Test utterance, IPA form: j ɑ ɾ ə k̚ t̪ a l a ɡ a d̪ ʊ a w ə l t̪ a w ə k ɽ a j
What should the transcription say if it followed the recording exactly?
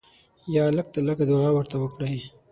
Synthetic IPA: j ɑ l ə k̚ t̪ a l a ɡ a d̪ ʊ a w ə ɾ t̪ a w ə k ɽ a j